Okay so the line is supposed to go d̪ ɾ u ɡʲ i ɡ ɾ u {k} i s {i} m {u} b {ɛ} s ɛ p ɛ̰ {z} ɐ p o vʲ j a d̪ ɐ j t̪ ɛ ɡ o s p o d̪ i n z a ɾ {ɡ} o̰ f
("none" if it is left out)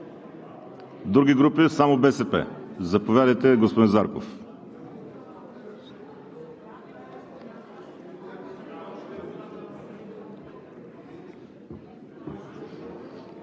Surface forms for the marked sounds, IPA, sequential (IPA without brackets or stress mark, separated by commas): p, a, o, ɛ, z, k